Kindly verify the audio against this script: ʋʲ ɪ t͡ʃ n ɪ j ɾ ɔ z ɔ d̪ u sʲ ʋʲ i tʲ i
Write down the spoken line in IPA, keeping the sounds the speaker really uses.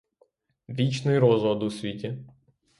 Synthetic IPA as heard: ʋʲ i t͡ʃ n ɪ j ɾ ɔ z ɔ d̪ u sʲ ʋʲ i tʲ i